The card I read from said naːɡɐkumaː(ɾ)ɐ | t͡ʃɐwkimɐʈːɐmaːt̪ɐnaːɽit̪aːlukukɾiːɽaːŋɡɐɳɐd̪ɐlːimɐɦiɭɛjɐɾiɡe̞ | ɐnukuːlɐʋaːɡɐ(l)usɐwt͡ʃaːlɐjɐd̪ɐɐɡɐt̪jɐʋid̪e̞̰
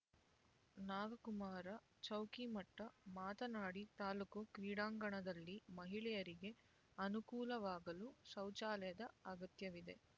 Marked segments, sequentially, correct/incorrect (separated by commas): correct, correct